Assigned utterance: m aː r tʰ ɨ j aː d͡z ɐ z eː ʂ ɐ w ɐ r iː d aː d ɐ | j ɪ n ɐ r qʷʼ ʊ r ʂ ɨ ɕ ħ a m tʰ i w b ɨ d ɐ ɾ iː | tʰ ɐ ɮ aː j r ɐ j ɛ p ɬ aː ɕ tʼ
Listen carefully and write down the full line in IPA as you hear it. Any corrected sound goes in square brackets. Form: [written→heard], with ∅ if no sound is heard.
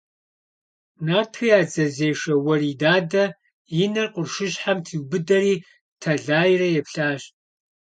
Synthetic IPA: [m→n] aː r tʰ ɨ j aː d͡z ɐ z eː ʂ ɐ w ɐ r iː d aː d ɐ | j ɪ n ɐ r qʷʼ ʊ r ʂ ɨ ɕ ħ a m tʰ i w b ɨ d ɐ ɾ iː | tʰ ɐ ɮ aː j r ɐ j ɛ p ɬ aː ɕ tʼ

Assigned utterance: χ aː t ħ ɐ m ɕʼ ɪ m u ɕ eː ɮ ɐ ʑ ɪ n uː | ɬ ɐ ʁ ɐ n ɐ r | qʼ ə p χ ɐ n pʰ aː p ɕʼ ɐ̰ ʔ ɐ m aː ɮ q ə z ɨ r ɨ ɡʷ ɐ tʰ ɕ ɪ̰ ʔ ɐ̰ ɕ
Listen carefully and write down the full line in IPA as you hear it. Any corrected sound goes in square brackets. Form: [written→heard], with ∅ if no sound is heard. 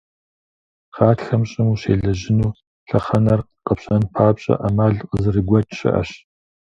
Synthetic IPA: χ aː t [ħ→x] ɐ m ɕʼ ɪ m u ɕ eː ɮ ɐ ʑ ɪ n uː | ɬ ɐ [ʁ→χ] ɐ n ɐ r | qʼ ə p [χ→ɕ] ɐ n pʰ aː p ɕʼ ɐ̰ ʔ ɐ m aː ɮ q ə z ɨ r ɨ ɡʷ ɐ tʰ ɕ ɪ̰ ʔ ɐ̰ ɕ

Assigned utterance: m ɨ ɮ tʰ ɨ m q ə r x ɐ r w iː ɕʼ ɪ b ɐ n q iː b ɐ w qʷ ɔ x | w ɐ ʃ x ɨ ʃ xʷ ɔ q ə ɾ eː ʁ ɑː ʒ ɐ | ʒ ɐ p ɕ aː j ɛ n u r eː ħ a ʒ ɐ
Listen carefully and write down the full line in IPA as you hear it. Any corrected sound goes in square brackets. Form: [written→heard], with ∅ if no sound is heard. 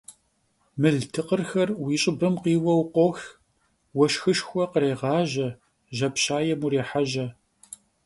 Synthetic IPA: m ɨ ɮ tʰ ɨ [m→∅] q ə r x ɐ r w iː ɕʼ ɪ b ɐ [n→m] q iː [b→w] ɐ w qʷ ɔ x | w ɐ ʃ x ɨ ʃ xʷ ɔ q ə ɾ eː ʁ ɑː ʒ ɐ | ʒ ɐ p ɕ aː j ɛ [n→m] u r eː ħ a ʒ ɐ

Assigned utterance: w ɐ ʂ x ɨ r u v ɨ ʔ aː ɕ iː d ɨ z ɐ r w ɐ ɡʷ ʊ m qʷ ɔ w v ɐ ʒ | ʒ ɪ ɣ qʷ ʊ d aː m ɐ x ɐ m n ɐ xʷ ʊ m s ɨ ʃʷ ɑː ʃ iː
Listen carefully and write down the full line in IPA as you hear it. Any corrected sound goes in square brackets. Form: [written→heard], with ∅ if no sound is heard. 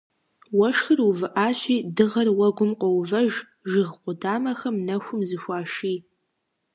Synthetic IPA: w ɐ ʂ x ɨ r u v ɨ ʔ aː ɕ iː d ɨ [z→ʁ] ɐ r w ɐ ɡʷ ʊ m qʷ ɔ w v ɐ ʒ | ʒ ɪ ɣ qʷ ʊ d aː m ɐ x ɐ m n ɐ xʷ ʊ m [s→z] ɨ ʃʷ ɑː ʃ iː

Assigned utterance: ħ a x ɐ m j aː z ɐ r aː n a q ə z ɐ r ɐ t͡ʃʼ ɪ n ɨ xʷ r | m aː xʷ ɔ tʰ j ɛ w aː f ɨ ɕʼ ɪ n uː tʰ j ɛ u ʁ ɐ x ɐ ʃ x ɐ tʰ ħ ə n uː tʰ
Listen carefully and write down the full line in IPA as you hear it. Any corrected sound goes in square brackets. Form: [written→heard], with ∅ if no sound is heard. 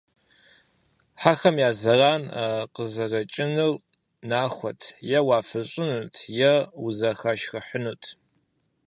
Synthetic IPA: ħ a x ɐ m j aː z ɐ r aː n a q ə z ɐ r ɐ t͡ʃʼ ɪ n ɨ [xʷ→∅] r | [m→n] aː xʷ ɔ tʰ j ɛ w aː f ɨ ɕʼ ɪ n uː tʰ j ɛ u [ʁ→z] ɐ x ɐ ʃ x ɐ [tʰ→∅] ħ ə n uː tʰ

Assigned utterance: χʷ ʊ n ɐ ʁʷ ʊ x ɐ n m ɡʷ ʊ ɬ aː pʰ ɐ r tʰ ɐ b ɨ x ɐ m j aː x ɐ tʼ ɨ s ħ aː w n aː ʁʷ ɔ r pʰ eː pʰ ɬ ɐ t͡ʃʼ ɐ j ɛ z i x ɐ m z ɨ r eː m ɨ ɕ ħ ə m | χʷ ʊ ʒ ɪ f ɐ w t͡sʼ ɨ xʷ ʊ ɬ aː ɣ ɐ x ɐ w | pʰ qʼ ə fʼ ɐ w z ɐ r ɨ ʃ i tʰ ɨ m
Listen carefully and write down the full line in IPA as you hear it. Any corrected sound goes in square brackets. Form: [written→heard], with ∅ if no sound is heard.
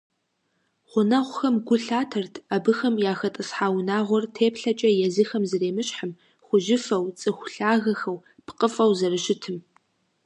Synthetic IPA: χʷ ʊ n ɐ ʁʷ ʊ x ɐ [n→∅] m ɡʷ ʊ ɬ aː [pʰ→tʰ] ɐ r tʰ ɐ b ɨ x ɐ m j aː x ɐ tʼ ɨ s ħ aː w n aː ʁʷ ɔ r [pʰ→tʰ] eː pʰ ɬ ɐ t͡ʃʼ ɐ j ɛ z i x ɐ m z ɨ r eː m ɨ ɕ ħ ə m | χʷ ʊ ʒ ɪ f ɐ w t͡sʼ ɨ xʷ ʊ ɬ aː ɣ ɐ x ɐ w | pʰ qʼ ə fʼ ɐ w z ɐ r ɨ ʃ [i→ɪ] tʰ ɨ m

